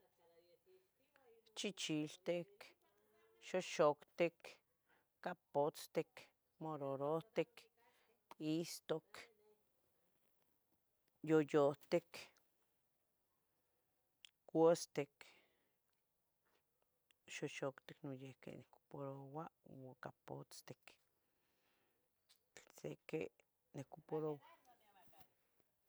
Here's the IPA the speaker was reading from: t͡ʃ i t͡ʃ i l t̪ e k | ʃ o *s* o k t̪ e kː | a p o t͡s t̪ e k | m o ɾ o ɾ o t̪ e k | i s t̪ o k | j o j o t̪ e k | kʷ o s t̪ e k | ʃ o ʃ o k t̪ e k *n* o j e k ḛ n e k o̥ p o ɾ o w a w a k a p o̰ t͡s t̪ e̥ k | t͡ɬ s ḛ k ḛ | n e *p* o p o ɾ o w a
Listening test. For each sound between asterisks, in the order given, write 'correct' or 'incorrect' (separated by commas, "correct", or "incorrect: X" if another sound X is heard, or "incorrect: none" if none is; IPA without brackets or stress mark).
incorrect: ʃ, correct, incorrect: k